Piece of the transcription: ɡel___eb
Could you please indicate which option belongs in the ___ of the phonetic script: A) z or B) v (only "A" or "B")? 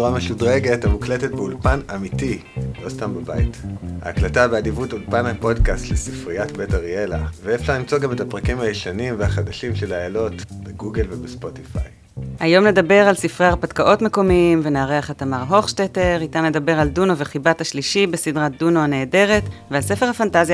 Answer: B